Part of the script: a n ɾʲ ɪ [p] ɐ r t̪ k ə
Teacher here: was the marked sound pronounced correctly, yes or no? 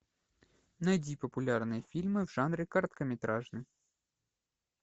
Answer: no